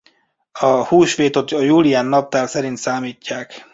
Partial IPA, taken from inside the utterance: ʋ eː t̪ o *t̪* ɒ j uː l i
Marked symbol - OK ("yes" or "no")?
yes